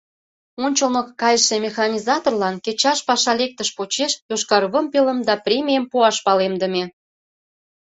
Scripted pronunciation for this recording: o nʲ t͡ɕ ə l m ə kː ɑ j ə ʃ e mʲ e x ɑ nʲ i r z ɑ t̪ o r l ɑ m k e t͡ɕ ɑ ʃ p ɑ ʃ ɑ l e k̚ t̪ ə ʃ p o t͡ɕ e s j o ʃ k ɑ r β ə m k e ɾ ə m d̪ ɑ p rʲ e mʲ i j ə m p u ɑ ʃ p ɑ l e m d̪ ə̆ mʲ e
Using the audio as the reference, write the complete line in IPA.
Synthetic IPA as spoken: o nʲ t͡ɕ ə l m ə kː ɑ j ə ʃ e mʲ e x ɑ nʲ i z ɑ t̪ o r l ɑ n k e t͡ɕ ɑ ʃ p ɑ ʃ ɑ l e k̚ t̪ ə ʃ p o t͡ɕ e ʃ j o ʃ k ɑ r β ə m p e l ə m d̪ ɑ p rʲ e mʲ i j ə m p u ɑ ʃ p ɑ l e m d̪ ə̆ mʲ e